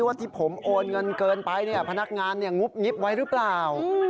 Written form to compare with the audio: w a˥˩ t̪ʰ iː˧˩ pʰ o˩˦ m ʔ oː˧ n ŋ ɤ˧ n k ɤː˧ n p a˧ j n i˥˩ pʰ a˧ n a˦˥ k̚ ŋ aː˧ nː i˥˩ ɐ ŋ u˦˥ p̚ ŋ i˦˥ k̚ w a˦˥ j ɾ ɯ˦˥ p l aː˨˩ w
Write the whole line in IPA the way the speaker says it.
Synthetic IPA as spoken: w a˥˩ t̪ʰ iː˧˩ pʰ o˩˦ m ʔ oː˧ n ŋ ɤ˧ n k ɤː˧ n p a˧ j n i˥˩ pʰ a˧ n a˦˥ k̚ ŋ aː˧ nː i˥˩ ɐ ŋ u˦˥ p̚ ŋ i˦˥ p̚ w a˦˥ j ɾ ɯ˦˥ p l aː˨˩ w